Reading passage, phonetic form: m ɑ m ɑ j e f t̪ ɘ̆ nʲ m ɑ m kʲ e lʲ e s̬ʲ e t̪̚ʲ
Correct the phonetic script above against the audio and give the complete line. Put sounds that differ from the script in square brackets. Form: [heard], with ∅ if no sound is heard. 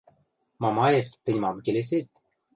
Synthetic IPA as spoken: m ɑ m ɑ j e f t̪ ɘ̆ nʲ m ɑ m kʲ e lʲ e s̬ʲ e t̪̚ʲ